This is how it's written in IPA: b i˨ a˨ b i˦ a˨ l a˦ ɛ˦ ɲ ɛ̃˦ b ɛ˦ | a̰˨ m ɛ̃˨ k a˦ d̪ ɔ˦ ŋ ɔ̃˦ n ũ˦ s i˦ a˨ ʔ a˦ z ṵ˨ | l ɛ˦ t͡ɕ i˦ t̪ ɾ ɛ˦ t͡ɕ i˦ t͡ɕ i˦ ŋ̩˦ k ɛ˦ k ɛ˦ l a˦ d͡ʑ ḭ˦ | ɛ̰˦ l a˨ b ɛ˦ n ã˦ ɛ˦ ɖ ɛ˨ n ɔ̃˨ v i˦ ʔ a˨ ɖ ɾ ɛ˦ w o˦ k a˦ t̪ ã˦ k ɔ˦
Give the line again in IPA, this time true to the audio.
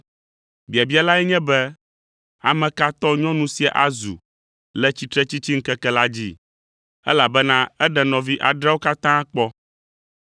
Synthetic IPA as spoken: b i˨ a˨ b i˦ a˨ l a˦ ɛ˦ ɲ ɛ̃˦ b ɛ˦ | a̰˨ m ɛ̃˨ k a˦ t̪ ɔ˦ ɲ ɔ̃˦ n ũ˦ s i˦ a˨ ʔ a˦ z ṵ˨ | l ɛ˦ t͡ɕ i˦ t̪ ɾ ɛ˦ t͡ɕ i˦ t͡ɕ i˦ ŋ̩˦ k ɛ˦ k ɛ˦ l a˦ d͡ʑ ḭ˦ | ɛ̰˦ l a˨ b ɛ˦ n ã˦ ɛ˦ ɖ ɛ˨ n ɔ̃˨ v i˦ ʔ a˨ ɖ ɾ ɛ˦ w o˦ k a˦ t̪ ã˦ k͡p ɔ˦

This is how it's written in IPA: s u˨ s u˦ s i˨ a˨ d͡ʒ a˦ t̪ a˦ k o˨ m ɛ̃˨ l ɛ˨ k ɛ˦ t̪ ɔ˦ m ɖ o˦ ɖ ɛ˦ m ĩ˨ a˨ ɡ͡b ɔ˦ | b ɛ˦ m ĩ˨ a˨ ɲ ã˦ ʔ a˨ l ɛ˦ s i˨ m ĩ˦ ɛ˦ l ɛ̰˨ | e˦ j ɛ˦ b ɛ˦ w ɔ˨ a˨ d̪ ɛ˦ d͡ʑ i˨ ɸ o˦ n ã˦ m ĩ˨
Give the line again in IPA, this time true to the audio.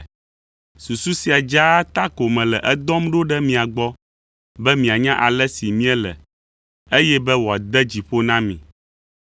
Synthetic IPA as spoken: s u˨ s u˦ s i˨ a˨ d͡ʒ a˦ t̪ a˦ k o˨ m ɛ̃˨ l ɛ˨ ʔ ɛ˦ d̪ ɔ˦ m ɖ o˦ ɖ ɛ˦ m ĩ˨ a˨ ɡ͡b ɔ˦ | b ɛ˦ m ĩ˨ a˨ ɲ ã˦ ʔ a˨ l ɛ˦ s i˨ m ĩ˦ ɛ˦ l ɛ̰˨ | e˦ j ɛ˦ b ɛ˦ w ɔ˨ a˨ d̪ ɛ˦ d͡ʑ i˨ ɸ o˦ n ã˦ m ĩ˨

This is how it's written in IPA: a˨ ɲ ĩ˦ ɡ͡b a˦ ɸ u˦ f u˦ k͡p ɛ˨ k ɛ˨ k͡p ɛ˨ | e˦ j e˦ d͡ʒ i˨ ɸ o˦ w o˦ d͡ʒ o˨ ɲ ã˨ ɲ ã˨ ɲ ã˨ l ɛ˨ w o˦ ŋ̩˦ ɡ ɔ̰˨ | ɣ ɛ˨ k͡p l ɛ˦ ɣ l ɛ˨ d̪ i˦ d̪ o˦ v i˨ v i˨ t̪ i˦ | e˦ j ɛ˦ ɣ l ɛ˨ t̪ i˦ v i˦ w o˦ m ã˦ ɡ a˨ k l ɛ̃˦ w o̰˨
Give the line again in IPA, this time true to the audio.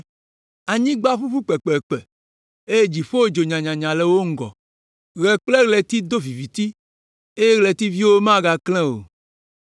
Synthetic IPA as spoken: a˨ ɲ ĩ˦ ɡ͡b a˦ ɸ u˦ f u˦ k͡p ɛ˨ k͡p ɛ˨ k͡p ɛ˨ | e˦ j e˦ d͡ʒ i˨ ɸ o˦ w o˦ d͡ʒ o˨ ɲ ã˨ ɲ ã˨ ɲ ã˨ l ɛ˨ w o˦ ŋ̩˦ ɡ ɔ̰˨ | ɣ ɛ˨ k͡p l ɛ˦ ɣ l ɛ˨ t̪ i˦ d̪ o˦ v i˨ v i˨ t̪ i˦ | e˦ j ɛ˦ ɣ l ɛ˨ t̪ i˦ v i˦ w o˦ m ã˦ ɡ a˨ k l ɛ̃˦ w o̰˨

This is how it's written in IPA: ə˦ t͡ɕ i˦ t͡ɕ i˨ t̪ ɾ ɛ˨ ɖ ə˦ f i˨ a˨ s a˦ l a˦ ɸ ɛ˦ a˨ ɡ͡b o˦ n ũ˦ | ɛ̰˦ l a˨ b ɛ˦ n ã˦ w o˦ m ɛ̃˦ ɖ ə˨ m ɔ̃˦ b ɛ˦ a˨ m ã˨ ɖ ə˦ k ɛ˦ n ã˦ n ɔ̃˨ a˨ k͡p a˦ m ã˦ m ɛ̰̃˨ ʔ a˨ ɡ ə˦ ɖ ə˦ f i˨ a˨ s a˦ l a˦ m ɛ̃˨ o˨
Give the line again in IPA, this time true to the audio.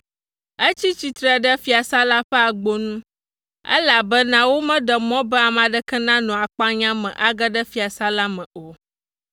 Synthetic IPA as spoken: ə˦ t͡ɕ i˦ t͡ɕ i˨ t̪ ɾ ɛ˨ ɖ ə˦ f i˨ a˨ s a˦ l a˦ ɸ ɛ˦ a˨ ɡ͡b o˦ n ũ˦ | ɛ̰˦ l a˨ b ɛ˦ n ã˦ w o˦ m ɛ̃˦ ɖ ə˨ m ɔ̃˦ b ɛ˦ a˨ m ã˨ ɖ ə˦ k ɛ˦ n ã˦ n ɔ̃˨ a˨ k͡p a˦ ɲ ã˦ m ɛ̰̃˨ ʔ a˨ ɡ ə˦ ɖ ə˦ f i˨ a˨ s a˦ l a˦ m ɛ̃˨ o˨

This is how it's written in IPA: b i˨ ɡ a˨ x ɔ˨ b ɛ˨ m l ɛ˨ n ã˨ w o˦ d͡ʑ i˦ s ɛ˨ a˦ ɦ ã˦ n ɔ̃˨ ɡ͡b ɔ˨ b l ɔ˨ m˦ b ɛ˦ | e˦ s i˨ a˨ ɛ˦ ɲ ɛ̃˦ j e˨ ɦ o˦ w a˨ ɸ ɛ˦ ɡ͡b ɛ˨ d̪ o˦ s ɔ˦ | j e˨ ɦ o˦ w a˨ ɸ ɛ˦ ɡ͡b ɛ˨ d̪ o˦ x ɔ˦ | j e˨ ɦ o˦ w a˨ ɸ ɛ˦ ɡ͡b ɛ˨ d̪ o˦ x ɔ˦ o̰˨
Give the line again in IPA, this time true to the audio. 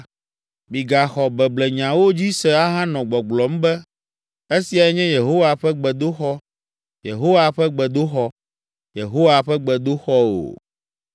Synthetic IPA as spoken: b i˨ ɡ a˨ x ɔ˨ b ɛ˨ b l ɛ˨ ɲ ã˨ w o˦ d͡ʑ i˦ s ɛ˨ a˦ ɦ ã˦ n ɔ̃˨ ɡ͡b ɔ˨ ɡ͡b l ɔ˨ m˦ b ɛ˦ | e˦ s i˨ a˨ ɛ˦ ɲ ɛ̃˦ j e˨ ɦ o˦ w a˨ ɸ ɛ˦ ɡ͡b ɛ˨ d̪ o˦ x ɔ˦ | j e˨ ɦ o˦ w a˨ ɸ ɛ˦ ɡ͡b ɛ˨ d̪ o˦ x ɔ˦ | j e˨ ɦ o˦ w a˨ ɸ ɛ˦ ɡ͡b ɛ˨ d̪ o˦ x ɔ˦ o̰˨

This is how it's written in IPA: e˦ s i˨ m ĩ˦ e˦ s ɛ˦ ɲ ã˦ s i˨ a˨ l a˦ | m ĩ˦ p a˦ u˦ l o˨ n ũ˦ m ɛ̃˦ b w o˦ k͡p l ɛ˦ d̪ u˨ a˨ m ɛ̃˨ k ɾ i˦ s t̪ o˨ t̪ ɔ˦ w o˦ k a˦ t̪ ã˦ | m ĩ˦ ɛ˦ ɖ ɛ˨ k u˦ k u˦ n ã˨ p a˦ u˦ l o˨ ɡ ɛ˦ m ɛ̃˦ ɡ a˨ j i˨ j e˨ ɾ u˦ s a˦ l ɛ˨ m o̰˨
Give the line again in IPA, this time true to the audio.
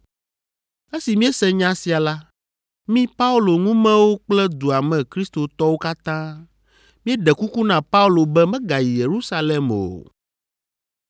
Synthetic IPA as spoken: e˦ s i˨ m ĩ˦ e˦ s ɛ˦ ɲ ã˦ s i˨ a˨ l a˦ | m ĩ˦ p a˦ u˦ l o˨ ŋ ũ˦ m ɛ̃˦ w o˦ k͡p l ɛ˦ d̪ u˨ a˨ m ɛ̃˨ k ɾ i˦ s t̪ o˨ t̪ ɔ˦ w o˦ k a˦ t̪ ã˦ | m ĩ˦ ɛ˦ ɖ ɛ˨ k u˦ k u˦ n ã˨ p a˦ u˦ l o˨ b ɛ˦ m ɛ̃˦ ɡ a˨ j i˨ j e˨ ɾ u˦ s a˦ l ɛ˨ m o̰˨

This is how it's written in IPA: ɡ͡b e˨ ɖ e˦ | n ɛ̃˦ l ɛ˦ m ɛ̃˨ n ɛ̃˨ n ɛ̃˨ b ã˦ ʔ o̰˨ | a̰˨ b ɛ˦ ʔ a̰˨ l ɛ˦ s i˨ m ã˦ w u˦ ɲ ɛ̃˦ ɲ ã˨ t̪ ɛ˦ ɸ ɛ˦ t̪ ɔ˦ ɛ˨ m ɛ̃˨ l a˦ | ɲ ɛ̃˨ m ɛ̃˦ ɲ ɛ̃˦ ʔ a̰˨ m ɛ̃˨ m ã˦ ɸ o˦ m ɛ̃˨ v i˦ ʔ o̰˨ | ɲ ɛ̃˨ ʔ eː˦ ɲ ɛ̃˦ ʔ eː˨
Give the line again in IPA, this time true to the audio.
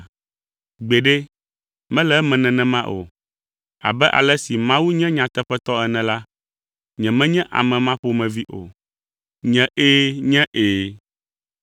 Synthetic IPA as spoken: ɡ͡b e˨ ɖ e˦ | m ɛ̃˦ l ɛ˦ m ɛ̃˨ n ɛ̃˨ n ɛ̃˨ m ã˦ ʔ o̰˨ | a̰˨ b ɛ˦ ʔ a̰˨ l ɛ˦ s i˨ m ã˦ w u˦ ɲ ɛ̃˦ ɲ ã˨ t̪ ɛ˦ ɸ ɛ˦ t̪ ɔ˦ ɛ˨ n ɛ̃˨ l a˦ | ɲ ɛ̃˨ m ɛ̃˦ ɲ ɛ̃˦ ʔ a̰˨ m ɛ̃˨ m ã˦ ɸ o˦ m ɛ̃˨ v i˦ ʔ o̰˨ | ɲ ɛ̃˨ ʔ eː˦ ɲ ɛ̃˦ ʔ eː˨

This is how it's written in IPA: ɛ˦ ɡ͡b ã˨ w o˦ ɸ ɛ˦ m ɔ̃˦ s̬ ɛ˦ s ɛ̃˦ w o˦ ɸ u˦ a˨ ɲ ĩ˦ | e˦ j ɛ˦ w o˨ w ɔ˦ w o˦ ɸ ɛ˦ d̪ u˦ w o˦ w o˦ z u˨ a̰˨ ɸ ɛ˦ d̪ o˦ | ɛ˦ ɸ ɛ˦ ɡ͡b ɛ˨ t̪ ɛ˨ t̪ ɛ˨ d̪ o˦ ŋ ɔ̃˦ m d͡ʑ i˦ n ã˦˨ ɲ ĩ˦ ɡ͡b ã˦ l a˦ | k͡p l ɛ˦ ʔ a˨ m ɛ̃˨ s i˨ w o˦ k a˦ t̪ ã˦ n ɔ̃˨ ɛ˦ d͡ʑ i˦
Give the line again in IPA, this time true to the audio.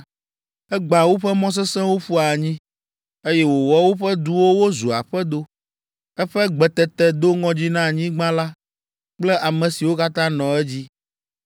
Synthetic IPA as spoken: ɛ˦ ɡ͡b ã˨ w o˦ ɸ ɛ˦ m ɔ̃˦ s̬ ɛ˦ s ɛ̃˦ w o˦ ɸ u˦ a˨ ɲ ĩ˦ | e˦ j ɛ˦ w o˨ w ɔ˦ w o˦ ɸ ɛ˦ d̪ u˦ w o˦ w o˦ z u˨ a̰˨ ɸ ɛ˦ d̪ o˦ | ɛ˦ ɸ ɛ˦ ɡ͡b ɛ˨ t̪ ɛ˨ t̪ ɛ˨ d̪ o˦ ŋ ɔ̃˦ d͡ʑ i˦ n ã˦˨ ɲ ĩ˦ ɡ͡b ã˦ l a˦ | k͡p l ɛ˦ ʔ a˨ m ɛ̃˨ s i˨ w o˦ k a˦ t̪ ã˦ n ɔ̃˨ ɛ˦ d͡ʑ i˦

